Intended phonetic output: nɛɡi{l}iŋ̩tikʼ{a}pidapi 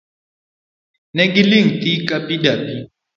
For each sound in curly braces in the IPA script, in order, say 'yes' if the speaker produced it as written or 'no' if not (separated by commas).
yes, yes